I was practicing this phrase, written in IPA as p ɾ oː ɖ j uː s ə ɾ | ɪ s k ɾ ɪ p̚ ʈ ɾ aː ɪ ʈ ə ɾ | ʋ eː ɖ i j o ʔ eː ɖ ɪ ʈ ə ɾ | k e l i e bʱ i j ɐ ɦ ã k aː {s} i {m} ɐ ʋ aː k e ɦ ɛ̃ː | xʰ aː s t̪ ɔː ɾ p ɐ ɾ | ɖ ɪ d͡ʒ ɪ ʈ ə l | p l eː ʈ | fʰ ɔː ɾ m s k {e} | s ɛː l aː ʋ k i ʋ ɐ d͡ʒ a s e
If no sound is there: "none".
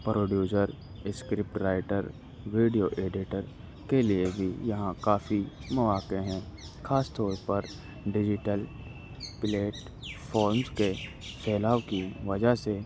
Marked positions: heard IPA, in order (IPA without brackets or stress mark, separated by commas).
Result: f, m, e